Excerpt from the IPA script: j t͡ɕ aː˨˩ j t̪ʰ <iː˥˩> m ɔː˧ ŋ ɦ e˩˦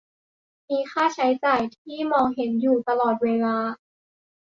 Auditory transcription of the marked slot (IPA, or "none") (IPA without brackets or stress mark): iː˥˩